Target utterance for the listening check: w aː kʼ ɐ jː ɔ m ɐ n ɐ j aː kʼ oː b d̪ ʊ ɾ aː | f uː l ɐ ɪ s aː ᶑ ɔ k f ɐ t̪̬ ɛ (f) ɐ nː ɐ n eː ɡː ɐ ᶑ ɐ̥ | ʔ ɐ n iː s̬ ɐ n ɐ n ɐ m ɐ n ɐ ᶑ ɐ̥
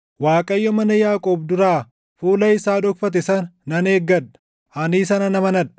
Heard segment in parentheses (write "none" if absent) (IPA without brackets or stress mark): s